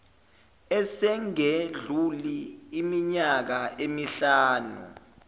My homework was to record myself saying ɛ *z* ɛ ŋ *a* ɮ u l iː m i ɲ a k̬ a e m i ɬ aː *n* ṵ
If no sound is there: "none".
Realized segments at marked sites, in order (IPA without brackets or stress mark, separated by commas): s, e, n